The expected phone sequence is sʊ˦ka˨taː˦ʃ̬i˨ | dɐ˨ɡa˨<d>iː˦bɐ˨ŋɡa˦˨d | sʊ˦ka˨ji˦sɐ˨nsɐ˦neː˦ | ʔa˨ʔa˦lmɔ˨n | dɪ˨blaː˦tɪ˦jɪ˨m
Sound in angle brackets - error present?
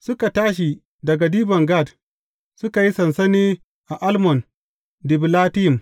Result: no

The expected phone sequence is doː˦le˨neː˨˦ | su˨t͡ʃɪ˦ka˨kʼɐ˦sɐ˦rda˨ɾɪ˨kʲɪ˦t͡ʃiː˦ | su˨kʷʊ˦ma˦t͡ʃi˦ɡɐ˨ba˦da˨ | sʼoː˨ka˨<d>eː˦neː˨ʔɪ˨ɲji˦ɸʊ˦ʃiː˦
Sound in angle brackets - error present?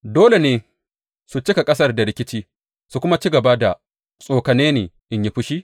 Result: yes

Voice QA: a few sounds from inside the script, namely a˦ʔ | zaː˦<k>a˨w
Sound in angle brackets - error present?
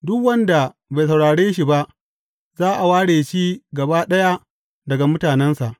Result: yes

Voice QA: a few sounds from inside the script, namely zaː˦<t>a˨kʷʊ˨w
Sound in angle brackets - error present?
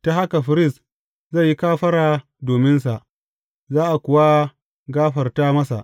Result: yes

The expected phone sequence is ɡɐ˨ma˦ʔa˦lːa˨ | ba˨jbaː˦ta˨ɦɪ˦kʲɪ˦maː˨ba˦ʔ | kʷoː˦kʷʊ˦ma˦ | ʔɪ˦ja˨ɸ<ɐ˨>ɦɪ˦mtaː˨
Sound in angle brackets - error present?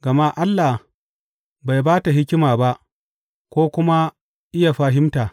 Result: yes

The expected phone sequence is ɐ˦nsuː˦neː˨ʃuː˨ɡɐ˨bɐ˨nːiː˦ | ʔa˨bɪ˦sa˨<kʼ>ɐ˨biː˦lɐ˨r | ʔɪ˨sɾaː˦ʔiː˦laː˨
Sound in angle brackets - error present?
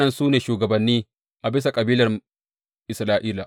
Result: no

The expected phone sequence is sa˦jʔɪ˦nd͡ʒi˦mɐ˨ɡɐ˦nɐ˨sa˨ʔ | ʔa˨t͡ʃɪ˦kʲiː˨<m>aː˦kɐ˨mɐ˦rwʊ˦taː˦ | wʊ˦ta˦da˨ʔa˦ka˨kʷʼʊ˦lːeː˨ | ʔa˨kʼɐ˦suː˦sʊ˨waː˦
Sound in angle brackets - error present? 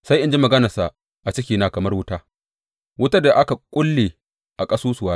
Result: yes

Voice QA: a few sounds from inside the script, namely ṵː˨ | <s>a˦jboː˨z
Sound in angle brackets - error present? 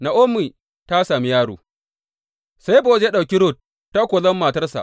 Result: no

